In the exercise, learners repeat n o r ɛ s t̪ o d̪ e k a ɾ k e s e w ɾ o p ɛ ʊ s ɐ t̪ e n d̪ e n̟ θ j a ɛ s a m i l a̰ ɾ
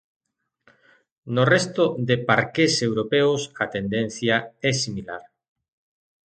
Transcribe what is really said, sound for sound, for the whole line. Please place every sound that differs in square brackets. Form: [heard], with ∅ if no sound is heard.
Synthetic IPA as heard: n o r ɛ s t̪ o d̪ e [p] a ɾ k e s e w ɾ o p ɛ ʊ s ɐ t̪ e n d̪ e n̟ θ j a ɛ s [i] m i l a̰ ɾ